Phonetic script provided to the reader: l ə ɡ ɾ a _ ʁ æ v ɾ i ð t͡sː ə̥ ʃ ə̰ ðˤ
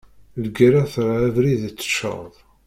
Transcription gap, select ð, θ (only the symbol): θ